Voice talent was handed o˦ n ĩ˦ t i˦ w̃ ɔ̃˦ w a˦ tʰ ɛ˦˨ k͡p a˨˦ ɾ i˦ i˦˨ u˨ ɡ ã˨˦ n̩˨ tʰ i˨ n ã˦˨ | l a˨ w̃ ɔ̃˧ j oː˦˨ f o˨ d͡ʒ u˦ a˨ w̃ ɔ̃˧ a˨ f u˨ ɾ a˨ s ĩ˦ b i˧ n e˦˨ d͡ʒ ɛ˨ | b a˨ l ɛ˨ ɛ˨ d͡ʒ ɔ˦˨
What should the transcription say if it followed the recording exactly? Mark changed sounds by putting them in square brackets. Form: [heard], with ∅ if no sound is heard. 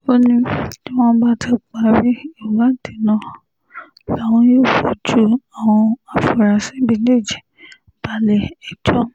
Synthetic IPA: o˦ n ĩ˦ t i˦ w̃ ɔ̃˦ [b] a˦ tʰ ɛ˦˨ k͡p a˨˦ ɾ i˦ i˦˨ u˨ ɡ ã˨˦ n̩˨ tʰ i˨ n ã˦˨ | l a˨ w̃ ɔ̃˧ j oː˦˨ f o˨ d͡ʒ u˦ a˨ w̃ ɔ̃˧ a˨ f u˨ ɾ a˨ s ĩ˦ b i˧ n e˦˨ d͡ʒ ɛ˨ | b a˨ l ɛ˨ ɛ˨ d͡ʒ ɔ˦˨